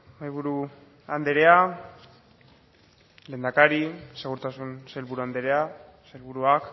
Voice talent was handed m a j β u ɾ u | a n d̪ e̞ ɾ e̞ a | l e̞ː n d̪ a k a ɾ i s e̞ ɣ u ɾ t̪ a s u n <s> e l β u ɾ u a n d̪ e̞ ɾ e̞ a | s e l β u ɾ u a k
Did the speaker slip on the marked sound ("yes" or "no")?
no